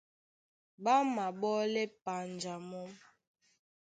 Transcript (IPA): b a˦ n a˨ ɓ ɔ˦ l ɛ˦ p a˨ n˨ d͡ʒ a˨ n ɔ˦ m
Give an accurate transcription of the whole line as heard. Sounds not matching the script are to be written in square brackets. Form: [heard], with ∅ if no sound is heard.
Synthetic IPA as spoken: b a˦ [m] a˨ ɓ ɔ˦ l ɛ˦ p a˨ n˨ d͡ʒ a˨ [m] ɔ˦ m